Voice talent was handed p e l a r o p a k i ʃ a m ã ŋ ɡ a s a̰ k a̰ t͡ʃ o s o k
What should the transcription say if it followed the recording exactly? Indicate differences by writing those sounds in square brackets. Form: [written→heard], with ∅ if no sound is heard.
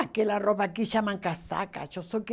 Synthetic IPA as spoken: [p→k] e l a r o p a k i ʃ a m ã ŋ [ɡ→k] a s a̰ k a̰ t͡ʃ o s o k